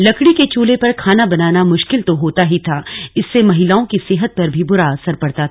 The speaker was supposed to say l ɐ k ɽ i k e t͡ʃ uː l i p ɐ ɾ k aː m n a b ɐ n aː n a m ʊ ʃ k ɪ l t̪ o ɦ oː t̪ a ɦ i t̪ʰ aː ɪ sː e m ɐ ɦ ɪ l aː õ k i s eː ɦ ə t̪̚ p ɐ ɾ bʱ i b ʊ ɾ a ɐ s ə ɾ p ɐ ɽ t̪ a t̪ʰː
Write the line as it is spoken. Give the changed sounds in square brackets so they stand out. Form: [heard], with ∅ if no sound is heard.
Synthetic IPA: l ɐ k ɽ i k e t͡ʃ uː l [e] p ɐ ɾ [kʰ] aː [∅] n a b ɐ n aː n a m ʊ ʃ k ɪ l t̪ o ɦ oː t̪ a ɦ i t̪ʰ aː ɪ sː e m ɐ ɦ ɪ l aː õ k i s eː ɦ ə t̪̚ p ɐ ɾ bʱ i b ʊ ɾ a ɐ s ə ɾ p ɐ ɽ t̪ a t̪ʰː